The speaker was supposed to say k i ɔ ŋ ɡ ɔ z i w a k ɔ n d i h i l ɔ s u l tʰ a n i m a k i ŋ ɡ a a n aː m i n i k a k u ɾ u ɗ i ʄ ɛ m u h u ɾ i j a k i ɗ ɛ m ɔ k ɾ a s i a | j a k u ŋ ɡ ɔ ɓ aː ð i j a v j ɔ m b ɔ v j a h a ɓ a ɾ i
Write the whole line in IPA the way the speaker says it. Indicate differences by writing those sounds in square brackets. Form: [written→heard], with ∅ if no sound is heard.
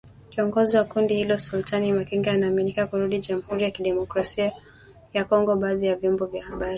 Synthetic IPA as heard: k i ɔ ŋ ɡ ɔ z i w a k [ɔ→u] n d i h i l ɔ s u l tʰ a n i m a k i ŋ ɡ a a n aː m i n i k a k u ɾ u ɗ i ʄ [ɛ→a] m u h u ɾ i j a k i ɗ ɛ m ɔ k ɾ a s i a | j a k [u→ɔ] ŋ ɡ ɔ ɓ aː ð i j a v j ɔ m b ɔ v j a h a ɓ a ɾ i